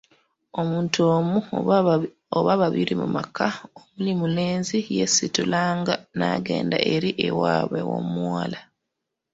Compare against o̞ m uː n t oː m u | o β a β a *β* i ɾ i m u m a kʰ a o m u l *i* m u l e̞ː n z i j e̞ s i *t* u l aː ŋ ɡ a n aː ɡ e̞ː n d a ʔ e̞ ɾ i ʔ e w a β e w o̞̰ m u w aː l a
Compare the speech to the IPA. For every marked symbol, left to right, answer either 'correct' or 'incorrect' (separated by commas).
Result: correct, correct, correct